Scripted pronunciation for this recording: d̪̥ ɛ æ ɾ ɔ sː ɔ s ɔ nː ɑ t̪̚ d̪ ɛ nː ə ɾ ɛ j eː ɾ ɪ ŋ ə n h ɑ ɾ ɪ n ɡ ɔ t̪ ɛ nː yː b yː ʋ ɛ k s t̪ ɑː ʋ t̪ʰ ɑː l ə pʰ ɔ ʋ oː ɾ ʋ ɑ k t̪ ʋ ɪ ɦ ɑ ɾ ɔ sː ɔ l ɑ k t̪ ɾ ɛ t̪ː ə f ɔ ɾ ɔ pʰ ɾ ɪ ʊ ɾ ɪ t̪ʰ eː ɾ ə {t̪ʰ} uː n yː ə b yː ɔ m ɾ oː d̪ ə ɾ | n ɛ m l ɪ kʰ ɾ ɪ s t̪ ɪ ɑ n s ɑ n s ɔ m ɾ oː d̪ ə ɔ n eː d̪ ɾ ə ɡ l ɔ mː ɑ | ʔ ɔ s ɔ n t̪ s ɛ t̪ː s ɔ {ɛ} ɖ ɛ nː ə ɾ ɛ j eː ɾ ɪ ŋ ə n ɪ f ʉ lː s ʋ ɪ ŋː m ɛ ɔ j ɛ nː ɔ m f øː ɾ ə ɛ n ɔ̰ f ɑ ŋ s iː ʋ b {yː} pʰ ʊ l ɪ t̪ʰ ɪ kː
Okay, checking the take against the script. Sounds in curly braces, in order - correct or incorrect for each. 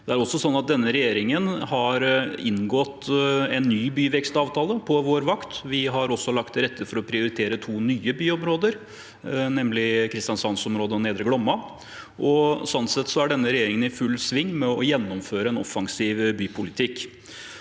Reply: correct, incorrect, correct

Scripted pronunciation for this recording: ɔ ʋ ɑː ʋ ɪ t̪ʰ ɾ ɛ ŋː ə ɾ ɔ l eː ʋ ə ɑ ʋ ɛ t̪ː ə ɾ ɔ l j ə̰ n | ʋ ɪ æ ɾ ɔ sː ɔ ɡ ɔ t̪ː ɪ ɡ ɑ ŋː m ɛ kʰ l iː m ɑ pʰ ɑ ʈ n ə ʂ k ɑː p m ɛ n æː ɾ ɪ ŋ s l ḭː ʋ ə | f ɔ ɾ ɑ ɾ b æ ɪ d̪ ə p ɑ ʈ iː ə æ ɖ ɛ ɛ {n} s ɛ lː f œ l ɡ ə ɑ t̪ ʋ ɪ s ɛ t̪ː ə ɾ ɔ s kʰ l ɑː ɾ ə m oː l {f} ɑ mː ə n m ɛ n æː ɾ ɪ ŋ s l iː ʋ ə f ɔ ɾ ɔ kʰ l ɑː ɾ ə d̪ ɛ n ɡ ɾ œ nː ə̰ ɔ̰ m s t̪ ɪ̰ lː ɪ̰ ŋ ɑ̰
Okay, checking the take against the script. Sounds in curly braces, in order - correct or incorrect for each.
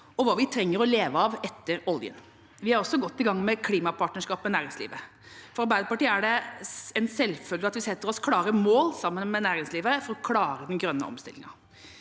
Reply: correct, incorrect

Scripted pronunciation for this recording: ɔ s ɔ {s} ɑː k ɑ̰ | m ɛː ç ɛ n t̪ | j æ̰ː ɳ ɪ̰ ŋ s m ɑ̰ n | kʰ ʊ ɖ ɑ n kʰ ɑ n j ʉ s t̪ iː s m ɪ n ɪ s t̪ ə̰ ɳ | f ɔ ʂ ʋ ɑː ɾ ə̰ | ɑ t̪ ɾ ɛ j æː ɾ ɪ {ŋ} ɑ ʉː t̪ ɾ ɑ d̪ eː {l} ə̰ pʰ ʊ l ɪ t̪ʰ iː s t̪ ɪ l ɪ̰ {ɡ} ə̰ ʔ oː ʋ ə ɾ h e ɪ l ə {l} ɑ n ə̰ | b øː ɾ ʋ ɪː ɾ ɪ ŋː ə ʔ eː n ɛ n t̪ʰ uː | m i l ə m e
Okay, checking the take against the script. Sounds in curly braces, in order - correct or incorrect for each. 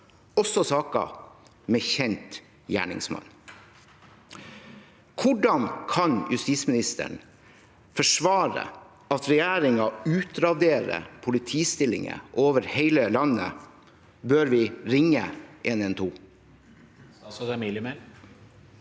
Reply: correct, correct, incorrect, incorrect, correct

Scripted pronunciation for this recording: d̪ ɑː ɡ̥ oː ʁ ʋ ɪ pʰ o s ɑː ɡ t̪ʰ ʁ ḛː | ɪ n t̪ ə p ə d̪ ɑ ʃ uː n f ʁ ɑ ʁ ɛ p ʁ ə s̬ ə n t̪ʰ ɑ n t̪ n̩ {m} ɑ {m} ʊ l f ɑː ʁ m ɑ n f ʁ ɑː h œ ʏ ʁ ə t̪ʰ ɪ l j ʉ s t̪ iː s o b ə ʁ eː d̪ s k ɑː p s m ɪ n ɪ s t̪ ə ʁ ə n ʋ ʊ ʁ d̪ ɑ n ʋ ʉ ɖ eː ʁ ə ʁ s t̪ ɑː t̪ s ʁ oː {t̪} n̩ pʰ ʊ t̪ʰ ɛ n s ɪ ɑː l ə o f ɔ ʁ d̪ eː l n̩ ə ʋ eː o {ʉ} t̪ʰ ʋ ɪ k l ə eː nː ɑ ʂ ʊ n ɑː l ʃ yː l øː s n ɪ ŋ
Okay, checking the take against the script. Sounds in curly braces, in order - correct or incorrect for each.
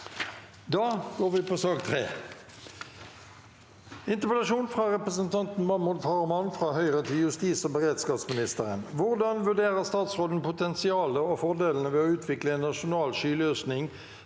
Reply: correct, correct, incorrect, incorrect

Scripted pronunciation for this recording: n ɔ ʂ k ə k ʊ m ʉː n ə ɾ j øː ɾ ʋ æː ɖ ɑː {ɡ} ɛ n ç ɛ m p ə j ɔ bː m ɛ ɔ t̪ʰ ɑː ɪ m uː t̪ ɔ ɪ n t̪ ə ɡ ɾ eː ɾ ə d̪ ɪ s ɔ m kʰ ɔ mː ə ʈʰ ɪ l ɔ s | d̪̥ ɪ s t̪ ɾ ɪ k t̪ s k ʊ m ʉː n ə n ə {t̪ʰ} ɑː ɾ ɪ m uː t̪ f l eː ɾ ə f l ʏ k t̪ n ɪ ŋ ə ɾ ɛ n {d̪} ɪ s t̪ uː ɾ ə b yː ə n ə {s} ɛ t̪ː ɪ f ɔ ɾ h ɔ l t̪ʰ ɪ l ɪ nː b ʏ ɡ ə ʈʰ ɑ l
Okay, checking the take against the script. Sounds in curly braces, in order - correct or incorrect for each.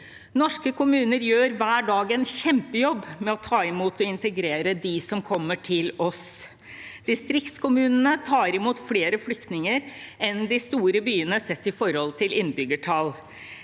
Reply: correct, correct, correct, correct

